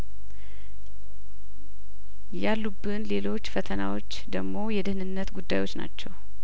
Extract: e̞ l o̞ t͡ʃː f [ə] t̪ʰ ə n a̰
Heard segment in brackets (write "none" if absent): ə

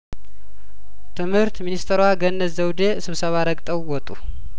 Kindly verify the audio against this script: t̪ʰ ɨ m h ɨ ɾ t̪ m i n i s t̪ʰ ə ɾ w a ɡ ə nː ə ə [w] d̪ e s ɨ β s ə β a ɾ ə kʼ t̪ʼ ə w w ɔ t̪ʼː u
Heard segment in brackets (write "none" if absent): w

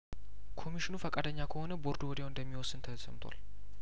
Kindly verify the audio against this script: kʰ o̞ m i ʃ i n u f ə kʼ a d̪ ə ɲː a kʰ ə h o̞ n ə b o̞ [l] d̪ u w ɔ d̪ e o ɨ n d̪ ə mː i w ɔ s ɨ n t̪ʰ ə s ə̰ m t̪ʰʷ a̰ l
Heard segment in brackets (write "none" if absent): ɾ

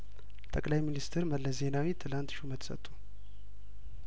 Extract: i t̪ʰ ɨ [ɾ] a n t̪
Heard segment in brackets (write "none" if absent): l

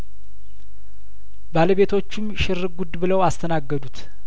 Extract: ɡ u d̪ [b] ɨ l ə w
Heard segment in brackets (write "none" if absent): b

